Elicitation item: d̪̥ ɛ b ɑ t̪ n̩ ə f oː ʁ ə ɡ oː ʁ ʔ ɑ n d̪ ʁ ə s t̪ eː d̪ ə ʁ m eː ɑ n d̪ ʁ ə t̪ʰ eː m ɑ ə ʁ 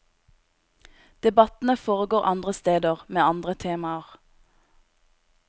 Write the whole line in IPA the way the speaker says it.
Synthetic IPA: d̪̥ ɛ b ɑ t̪ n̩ ə f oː ʁ ə ɡ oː ʁ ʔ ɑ n d̪ ʁ ə s t̪ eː d̪ ə ʁ m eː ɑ n d̪ ʁ ə t̪ʰ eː m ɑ ə ʁ